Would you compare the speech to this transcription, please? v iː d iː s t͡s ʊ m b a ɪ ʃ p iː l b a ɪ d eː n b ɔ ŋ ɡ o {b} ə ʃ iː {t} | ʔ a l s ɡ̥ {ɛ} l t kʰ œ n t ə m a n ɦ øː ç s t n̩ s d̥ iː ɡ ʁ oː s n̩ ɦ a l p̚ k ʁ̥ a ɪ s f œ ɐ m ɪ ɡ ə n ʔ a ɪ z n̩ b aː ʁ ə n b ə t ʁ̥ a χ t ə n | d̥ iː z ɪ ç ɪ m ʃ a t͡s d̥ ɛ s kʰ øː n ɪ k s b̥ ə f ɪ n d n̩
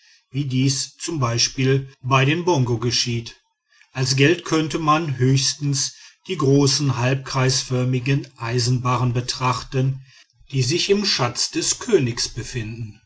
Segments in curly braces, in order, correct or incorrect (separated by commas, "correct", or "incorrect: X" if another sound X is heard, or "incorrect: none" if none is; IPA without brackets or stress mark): incorrect: ɡ, correct, correct